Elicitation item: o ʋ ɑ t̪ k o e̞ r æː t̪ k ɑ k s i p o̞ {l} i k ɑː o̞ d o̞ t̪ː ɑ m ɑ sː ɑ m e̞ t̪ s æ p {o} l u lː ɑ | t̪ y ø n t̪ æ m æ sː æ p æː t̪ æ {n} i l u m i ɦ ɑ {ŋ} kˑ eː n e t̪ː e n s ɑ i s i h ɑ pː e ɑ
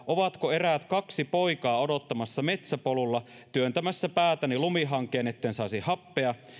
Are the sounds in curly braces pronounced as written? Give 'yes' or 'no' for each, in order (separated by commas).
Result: no, yes, yes, yes